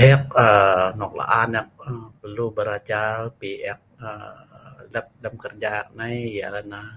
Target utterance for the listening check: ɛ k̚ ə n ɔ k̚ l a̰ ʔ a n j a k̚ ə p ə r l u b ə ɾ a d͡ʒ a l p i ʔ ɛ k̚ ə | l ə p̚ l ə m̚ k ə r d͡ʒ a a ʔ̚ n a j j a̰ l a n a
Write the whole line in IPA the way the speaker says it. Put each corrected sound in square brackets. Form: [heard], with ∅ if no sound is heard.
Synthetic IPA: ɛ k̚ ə n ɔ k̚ l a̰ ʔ a n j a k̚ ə p ə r l u b ə ɾ a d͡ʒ a l p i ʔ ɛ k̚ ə | l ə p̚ l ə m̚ k ə r d͡ʒ a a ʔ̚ n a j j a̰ l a n a

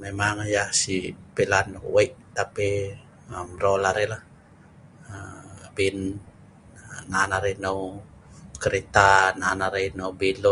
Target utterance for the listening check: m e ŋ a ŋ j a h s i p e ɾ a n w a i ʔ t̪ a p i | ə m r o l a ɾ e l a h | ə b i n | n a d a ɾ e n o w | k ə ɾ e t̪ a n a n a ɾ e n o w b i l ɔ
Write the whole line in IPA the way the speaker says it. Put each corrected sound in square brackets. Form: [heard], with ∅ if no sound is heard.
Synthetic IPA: m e [m] a ŋ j a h s i p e [l] a n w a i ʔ t̪ a p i | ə m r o l a ɾ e l a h | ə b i n | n a [n] a ɾ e n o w | k ə ɾ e t̪ a n a n a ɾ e n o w b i l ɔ

